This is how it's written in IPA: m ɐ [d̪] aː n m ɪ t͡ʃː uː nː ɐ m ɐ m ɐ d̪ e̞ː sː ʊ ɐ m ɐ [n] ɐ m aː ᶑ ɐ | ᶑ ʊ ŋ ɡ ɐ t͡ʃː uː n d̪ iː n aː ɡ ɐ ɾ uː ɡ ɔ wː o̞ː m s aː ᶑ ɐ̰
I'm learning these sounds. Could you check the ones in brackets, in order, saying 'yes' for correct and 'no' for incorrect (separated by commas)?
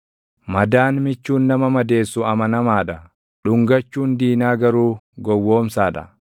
yes, yes